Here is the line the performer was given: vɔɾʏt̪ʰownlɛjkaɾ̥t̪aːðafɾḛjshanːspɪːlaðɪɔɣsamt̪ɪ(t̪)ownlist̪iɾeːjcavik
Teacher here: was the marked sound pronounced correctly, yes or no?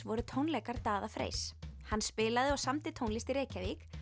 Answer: no